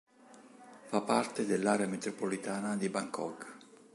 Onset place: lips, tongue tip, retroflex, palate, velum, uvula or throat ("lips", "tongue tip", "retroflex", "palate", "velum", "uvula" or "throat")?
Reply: lips